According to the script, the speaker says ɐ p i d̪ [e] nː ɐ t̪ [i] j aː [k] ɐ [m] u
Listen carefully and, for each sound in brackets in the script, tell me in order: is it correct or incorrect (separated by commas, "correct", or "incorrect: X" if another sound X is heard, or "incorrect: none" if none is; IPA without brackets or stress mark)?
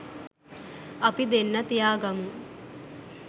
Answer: correct, correct, incorrect: ɡ, correct